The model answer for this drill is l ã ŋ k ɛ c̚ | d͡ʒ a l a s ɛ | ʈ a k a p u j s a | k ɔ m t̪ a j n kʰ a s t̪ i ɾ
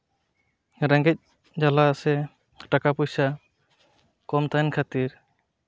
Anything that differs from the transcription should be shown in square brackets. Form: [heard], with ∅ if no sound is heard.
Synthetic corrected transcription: [ɾ] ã ŋ [ɡ] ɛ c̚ | d͡ʒ a l a s ɛ | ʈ a k a p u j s a | k ɔ m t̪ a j n kʰ a [∅] t̪ i ɾ

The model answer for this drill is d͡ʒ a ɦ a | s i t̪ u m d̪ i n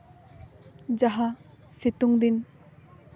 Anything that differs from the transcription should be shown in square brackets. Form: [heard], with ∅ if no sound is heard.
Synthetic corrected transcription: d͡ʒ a ɦ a | s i t̪ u [ŋ] d̪ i n

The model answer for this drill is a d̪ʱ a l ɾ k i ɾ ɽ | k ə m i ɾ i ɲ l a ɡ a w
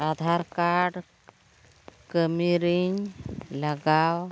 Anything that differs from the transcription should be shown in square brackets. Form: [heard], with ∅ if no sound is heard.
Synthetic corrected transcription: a d̪ʱ a [∅] ɾ k [a] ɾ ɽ | k ə m i ɾ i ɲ l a ɡ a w

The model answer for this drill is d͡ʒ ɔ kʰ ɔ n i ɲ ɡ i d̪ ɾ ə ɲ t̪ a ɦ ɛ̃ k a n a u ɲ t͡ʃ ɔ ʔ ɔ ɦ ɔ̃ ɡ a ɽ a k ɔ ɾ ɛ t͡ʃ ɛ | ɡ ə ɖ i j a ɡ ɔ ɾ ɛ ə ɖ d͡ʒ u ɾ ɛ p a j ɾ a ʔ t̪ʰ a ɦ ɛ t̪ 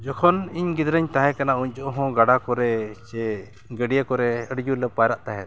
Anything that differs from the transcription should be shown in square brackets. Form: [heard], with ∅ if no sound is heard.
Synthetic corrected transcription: d͡ʒ ɔ kʰ ɔ n i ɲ ɡ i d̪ ɾ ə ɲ t̪ a ɦ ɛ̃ k a n a u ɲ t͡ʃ ɔ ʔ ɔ ɦ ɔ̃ ɡ a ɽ a k ɔ ɾ ɛ t͡ʃ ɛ | ɡ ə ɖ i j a [k] ɔ ɾ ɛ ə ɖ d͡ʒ u [l] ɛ p a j ɾ a ʔ [t̪] a ɦ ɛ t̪

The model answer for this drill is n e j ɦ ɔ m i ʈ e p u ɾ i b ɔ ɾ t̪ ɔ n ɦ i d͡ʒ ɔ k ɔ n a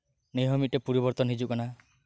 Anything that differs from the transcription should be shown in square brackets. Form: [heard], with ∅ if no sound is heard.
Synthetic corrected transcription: n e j ɦ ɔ m i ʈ e p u ɾ i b ɔ ɾ t̪ ɔ n ɦ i d͡ʒ [u] k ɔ n a

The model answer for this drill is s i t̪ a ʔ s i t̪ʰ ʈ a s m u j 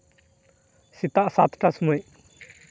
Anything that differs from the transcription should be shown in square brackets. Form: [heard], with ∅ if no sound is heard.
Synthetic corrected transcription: s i t̪ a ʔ s [a] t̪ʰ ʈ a s m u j

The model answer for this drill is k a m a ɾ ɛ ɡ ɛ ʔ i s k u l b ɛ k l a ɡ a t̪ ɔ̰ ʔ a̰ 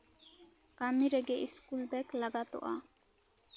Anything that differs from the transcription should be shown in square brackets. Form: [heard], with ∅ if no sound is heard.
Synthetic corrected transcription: k a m [i] ɾ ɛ ɡ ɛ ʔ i s k u l b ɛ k l a ɡ a t̪ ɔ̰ ʔ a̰

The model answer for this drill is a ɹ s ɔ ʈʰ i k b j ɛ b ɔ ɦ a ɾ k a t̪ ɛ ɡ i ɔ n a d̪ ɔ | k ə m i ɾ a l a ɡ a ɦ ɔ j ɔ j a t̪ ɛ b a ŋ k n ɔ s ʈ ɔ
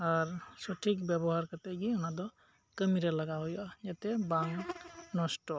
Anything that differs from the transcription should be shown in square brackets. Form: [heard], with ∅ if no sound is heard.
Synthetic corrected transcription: a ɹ s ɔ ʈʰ i k b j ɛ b ɔ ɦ a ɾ k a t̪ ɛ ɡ i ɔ n a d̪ ɔ | k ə m i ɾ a l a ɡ a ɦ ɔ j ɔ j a t̪ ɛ b a ŋ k n ɔ s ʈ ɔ

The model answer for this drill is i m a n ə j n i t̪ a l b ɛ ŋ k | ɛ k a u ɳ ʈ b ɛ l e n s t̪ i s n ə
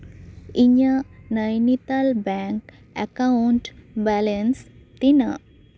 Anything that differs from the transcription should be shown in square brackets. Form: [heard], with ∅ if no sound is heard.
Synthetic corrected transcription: i [ɲ] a n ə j n i t̪ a l b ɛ ŋ k | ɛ k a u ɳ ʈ b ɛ l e n s t̪ i [∅] n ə

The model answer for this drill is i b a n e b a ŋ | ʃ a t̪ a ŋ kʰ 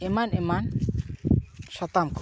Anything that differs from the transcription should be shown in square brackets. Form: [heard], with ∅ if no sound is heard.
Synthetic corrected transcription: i [m] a n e [m] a [n] | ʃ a t̪ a [m] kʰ

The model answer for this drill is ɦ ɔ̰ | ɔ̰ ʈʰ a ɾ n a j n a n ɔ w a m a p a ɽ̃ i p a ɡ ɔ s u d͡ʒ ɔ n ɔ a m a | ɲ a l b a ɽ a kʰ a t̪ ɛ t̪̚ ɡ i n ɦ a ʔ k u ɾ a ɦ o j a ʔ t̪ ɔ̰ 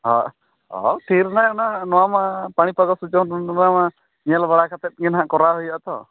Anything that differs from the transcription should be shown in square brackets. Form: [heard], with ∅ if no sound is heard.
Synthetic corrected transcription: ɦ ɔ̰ | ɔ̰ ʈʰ [i] ɾ n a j n a n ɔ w a m a p a ɽ̃ i p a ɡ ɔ s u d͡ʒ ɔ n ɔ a m a | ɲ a l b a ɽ a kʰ a t̪ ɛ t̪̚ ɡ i n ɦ a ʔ k [ɔ] ɾ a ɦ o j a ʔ t̪ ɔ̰

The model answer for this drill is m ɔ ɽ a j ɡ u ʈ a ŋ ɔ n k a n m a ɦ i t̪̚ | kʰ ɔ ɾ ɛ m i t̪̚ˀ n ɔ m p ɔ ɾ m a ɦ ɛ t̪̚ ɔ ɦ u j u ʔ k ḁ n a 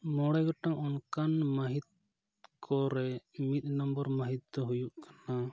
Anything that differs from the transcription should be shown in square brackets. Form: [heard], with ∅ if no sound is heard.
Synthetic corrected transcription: m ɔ ɽ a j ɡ [ɔ] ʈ a ŋ ɔ n k a n m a ɦ i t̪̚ | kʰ ɔ ɾ ɛ m i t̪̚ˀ n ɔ m [b] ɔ ɾ m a ɦ [i] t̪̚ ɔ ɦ u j u ʔ k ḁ n a

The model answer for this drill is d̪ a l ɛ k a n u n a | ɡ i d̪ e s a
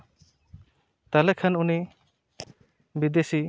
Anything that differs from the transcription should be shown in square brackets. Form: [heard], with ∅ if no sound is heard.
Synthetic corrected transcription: [t̪] a l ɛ [kʰ] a n u n [i] | [b] i d̪ e s [i]

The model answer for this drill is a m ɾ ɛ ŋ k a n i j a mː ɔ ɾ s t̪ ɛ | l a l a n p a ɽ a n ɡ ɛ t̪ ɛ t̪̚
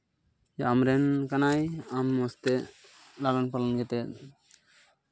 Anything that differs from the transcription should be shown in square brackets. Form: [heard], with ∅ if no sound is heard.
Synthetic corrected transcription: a m ɾ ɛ [n] k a n [a] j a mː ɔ [∅] s t̪ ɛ | l a l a n p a [l] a n ɡ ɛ t̪ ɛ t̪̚

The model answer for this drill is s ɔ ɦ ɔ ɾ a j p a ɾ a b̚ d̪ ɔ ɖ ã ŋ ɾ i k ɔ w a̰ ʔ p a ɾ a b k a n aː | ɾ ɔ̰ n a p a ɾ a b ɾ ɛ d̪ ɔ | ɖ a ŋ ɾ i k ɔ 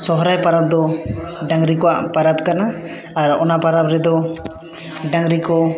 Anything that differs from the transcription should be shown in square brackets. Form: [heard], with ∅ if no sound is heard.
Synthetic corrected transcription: s ɔ ɦ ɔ ɾ a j p a ɾ a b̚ d̪ ɔ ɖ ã ŋ ɾ i k ɔ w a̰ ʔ p a ɾ a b k a n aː | ɾ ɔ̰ n a p a ɾ a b ɾ ɛ d̪ ɔ | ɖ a ŋ ɾ i k ɔ

